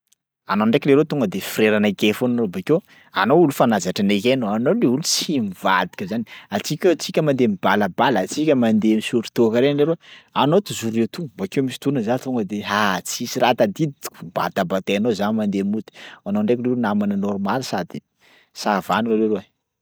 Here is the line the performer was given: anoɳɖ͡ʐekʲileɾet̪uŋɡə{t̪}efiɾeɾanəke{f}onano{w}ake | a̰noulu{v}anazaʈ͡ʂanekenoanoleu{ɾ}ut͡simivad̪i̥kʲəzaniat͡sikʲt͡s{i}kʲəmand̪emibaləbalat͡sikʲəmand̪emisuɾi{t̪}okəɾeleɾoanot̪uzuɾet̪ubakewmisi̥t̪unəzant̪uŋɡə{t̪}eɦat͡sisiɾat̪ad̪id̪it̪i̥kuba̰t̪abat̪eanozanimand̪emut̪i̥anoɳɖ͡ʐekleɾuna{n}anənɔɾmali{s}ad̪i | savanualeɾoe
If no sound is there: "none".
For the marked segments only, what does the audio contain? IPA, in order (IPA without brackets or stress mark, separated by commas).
d̪, f, b, f, l, i, t̪, d̪, m, s